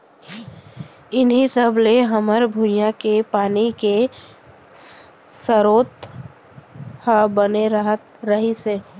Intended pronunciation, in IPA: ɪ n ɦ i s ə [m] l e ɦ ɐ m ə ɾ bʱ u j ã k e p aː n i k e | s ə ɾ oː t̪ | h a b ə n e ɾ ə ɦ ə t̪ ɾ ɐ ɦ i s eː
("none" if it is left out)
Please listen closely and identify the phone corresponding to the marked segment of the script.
b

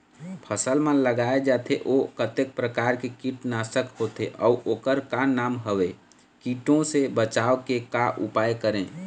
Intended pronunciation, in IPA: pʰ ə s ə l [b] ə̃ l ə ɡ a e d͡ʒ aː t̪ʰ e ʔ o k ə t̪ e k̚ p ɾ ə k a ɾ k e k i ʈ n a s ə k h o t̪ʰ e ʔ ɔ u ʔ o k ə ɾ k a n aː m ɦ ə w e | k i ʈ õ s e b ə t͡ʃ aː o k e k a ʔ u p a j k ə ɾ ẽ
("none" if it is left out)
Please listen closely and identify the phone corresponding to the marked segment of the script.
m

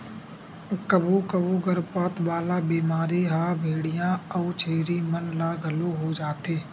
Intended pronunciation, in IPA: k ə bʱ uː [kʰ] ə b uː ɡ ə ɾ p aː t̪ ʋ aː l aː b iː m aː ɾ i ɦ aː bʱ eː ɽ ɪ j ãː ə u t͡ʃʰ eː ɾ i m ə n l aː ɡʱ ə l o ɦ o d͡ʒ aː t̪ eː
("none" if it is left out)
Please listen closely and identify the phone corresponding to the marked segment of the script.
k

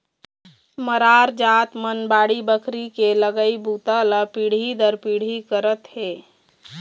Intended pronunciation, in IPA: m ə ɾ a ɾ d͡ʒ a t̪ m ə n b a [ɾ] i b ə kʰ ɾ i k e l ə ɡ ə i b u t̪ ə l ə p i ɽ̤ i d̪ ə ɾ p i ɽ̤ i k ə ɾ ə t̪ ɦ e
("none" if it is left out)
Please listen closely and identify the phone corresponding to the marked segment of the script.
ɽ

